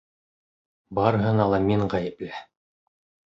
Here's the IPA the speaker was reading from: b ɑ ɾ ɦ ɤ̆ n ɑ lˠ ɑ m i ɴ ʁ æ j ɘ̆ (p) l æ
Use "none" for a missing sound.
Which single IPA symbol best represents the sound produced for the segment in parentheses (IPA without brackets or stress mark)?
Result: p